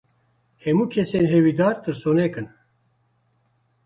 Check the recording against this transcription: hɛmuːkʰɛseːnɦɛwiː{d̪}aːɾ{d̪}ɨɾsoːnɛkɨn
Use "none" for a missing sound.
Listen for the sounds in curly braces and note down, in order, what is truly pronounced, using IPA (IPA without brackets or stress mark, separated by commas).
d̪, t̪